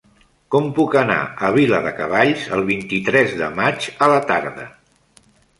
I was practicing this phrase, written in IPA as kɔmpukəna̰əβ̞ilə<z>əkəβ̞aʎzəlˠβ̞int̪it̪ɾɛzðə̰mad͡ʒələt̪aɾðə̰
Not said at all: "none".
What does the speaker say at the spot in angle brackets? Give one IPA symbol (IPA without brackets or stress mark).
ð